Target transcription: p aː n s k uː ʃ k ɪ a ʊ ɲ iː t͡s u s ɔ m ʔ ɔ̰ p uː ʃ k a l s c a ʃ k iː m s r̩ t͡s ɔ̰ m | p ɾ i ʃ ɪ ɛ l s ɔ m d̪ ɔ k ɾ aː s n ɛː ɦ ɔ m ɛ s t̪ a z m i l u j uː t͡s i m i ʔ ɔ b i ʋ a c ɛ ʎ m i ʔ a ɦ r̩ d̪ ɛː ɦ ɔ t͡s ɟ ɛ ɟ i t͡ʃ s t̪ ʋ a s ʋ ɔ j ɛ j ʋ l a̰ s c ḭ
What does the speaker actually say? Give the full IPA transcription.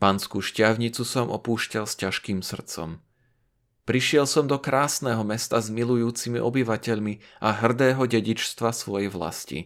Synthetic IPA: p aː n s k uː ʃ c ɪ a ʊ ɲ i t͡s u s ɔ m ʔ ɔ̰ p uː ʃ c a l s c a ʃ k iː m s r̩ t͡s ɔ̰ m | p ɾ i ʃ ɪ ɛ l s ɔ m d̪ ɔ k ɾ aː s n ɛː ɦ ɔ m ɛ s t̪ a z m i l u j uː t͡s i m i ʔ ɔ b i ʋ a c ɛ ʎ m i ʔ a ɦ r̩ d̪ ɛː ɦ ɔ ɟ ɛ ɟ i t͡ʃ s t̪ ʋ a s ʋ ɔ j ɛ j ʋ l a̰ s c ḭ